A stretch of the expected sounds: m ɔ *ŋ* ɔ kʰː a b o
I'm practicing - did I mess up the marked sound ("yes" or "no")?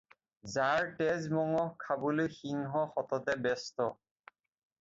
no